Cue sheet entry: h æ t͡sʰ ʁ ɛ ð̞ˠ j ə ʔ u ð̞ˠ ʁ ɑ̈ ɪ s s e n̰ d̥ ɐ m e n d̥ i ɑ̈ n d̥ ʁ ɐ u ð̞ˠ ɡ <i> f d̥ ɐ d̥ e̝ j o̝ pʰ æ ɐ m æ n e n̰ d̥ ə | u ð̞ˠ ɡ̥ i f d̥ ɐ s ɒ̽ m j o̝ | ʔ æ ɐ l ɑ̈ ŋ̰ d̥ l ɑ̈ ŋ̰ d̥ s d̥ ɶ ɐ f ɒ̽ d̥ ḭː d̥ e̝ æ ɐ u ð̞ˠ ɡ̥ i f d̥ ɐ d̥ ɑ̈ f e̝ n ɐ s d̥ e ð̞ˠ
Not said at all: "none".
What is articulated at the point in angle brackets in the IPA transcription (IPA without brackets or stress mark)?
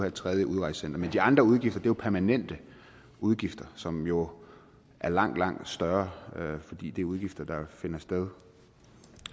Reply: i